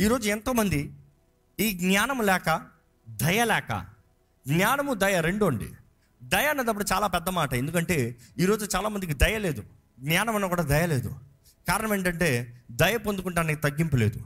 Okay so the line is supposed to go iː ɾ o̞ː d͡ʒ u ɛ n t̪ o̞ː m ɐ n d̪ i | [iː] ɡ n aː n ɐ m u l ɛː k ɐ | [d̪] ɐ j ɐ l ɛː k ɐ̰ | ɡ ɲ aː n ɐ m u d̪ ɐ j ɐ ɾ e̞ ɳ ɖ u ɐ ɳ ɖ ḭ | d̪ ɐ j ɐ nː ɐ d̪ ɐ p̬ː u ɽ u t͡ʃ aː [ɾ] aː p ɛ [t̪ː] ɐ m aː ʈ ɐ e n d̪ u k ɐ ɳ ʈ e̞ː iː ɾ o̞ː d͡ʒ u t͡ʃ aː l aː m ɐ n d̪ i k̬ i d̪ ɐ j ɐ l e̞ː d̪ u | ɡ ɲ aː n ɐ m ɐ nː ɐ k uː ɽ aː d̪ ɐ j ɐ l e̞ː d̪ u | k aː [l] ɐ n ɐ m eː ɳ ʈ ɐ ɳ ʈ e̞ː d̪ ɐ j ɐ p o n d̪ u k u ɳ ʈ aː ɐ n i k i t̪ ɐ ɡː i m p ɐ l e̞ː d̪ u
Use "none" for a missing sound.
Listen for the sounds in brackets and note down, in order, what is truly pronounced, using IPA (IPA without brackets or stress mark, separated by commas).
iː, d̪, l, d̪ː, ɾ